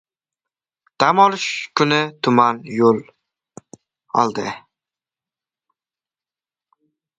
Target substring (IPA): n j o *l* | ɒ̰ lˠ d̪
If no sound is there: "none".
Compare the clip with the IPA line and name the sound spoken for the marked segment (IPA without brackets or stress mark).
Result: l